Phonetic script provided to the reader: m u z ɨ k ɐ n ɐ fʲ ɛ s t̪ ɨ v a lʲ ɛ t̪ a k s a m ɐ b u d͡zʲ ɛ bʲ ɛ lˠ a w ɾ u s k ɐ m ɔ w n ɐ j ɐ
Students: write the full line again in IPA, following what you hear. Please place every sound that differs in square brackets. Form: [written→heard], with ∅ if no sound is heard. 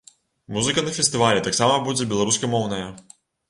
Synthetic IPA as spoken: m u z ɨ k ɐ n ɐ fʲ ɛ s t̪ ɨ v a lʲ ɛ t̪ a k s a m ɐ b u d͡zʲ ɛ bʲ ɛ lˠ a [w→∅] ɾ u s k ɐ m ɔ w n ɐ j ɐ